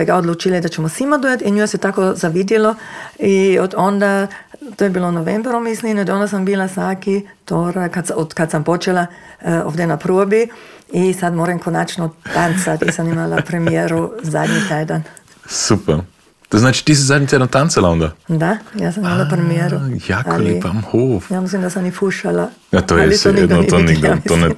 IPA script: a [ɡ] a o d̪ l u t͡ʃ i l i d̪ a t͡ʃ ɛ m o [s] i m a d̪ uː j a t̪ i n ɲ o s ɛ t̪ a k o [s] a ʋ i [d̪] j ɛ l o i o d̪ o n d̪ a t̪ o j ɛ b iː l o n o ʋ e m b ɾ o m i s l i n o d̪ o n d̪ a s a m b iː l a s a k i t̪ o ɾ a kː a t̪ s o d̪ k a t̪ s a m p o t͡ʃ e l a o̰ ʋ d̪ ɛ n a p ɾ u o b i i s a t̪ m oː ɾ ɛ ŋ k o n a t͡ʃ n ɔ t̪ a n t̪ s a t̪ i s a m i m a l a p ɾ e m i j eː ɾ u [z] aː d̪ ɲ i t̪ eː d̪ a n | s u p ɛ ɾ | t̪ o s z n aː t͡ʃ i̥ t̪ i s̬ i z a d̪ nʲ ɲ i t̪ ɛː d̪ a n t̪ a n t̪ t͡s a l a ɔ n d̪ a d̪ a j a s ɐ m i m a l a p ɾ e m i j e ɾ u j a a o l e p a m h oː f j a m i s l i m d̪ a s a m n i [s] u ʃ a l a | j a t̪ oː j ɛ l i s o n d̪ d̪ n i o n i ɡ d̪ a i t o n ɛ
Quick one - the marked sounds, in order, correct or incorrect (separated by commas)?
correct, correct, incorrect, correct, correct, incorrect